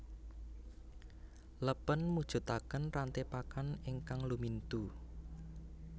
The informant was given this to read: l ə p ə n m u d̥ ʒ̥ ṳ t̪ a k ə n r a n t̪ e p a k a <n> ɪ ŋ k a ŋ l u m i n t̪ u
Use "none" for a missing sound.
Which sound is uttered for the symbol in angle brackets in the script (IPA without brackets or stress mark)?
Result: n